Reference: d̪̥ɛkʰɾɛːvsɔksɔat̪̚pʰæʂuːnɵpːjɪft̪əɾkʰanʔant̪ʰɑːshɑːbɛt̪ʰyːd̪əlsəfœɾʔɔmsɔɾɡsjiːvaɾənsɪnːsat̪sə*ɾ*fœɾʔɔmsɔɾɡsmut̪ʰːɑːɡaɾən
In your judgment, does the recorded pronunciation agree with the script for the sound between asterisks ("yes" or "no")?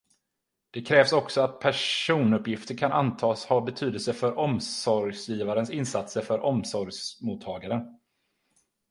yes